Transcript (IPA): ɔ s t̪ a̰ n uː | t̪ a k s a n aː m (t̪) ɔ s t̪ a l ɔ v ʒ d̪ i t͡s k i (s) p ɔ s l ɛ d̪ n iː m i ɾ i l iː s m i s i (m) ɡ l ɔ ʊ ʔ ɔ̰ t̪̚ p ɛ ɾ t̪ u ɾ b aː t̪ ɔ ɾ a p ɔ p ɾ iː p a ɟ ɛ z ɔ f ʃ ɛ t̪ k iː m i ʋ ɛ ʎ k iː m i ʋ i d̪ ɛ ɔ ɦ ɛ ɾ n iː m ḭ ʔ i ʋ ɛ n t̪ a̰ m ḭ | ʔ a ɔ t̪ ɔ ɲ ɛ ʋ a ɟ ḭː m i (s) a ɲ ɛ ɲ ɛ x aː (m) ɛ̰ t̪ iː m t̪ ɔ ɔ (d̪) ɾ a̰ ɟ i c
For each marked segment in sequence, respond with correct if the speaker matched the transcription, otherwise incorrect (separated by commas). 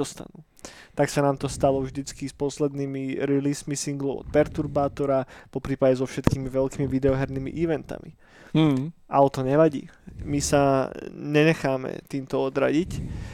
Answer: correct, correct, incorrect, correct, correct, correct